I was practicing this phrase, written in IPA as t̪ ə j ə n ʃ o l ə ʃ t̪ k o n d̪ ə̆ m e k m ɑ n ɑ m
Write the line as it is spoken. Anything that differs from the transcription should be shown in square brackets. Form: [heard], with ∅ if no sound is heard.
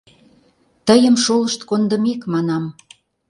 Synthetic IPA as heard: t̪ ə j ə [m] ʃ o l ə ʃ t̪ k o n d̪ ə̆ m e k m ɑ n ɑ m